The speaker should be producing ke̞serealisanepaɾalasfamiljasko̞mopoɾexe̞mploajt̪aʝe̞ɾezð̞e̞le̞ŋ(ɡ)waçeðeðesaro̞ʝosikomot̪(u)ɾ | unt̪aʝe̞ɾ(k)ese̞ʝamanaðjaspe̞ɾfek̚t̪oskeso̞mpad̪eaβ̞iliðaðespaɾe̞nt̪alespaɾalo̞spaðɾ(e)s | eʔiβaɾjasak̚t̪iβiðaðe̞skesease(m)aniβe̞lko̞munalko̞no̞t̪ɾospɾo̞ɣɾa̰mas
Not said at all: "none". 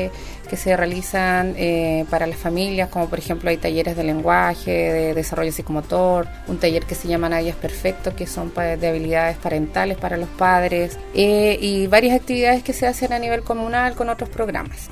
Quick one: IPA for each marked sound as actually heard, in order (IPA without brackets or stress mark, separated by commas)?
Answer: ɡ, o, k, e, n